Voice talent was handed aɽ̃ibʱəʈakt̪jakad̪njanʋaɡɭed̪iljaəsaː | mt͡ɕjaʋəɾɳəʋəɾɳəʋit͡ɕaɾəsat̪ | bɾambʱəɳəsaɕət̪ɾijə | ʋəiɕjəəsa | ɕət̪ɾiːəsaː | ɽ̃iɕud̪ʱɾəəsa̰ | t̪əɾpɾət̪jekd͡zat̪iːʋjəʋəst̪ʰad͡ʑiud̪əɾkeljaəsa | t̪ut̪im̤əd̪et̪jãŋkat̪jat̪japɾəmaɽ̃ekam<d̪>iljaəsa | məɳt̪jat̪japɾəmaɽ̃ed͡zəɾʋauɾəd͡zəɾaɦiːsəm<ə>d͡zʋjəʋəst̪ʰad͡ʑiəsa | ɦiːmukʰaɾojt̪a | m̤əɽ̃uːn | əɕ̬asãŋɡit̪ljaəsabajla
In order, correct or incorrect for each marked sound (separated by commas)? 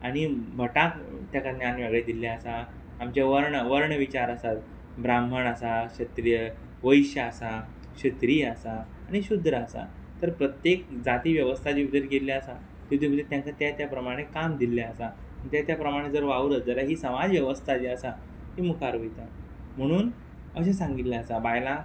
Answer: correct, incorrect